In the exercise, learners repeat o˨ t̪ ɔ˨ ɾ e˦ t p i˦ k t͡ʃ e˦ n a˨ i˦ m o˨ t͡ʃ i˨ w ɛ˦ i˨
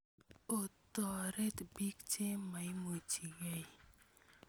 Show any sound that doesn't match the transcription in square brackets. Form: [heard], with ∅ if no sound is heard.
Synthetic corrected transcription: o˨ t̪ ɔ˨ ɾ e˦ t [b] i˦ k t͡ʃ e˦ [m] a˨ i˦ m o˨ t͡ʃ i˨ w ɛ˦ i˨